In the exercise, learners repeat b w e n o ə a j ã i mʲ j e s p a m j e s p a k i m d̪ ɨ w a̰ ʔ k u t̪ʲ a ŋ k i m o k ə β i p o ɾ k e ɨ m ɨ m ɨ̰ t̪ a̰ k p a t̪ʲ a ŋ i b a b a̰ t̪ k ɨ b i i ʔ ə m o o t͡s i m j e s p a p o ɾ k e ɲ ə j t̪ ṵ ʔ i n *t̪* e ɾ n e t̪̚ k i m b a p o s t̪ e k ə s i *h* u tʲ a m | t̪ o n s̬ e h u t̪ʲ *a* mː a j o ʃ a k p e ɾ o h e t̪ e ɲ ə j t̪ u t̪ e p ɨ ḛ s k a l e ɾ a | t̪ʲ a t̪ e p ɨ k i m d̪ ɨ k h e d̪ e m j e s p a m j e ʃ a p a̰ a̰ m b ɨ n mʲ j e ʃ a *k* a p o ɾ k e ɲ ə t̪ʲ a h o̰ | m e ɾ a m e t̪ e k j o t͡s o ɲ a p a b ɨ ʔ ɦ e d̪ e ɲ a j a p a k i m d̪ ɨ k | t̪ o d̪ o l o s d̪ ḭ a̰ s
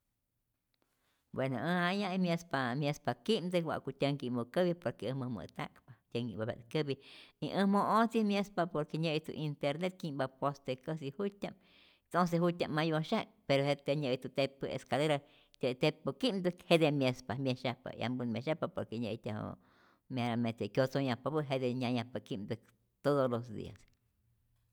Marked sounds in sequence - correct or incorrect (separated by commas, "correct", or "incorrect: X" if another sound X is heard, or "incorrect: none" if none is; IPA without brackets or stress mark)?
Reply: correct, correct, correct, incorrect: p